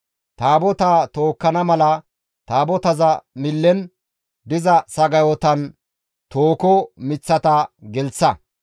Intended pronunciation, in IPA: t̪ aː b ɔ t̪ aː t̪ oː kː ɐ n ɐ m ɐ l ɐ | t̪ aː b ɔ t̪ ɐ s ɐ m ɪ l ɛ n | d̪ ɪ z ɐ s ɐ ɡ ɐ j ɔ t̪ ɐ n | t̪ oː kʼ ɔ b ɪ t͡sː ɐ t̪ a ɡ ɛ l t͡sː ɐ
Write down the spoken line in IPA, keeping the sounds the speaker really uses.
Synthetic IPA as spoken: t̪ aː b ɔ t̪ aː t̪ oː kː ɐ n ɐ m ɐ l ɐ | t̪ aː b ɔ t̪ ɐ z ɐ m ɪ lː ɛ n | d̪ ɪ z ɐ s ɐ ɡ ɐ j ɔ t̪ ɐ n | t̪ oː k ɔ m ɪ t͡sː ɐ t̪ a ɡ ɛ l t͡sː ɐ